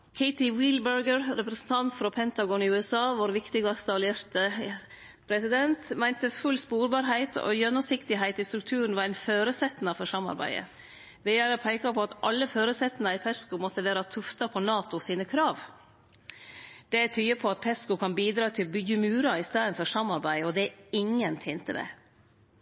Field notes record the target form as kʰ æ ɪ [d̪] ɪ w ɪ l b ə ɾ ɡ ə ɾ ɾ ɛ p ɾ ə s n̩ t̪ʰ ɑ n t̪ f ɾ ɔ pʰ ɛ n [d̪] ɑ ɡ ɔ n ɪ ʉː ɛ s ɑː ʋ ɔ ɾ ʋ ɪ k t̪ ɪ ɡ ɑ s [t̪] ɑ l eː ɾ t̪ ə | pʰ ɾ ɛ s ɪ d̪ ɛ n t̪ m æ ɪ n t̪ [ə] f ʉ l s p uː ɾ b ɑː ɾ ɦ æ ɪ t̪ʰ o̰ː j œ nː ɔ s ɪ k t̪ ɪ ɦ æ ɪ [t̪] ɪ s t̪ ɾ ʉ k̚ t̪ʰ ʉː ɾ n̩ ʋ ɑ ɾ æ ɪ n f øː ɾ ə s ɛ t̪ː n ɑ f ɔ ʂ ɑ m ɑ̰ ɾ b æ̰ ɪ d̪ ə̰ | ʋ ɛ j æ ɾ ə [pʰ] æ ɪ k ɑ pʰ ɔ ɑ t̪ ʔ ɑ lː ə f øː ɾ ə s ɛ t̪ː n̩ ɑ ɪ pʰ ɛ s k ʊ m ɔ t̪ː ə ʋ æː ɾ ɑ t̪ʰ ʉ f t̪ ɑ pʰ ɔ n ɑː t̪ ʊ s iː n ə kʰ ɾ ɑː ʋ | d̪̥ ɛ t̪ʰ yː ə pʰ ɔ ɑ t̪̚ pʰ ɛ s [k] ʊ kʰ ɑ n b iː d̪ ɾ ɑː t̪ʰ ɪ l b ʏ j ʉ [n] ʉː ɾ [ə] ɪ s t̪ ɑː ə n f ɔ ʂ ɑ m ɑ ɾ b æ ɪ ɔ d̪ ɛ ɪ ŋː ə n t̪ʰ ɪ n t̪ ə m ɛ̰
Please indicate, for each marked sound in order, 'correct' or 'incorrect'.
incorrect: t̪, incorrect: t̪, correct, correct, correct, correct, correct, incorrect: m, incorrect: ɑ

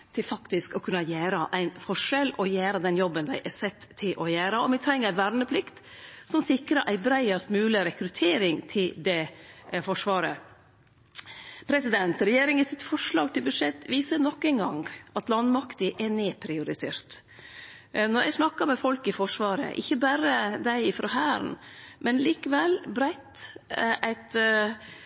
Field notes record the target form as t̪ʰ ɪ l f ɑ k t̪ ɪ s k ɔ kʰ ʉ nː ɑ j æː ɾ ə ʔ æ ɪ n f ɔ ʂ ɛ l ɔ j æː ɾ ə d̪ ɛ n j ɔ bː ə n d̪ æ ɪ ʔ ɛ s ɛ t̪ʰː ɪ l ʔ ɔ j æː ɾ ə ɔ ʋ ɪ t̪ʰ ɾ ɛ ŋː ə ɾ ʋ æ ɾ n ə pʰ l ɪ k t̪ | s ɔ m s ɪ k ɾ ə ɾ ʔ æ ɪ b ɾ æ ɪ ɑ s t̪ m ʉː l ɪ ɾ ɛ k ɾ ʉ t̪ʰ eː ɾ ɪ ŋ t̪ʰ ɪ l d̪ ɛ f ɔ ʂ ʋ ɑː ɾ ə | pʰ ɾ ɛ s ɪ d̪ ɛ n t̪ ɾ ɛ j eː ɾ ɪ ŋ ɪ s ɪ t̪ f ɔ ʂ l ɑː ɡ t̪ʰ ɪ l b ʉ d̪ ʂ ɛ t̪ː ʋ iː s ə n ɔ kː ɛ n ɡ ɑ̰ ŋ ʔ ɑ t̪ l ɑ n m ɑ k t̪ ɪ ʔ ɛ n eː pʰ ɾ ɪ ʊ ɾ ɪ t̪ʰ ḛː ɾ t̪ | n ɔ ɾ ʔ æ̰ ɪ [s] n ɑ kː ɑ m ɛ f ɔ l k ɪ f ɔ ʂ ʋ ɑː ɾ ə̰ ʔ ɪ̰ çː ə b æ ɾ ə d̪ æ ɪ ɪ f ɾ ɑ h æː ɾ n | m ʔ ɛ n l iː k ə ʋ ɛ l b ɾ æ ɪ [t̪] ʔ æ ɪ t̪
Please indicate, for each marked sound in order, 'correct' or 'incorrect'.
correct, correct

